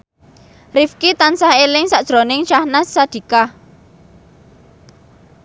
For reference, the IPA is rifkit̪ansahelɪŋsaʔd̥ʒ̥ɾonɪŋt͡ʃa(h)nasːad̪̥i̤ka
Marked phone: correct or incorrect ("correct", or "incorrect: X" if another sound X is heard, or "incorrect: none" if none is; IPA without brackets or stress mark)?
correct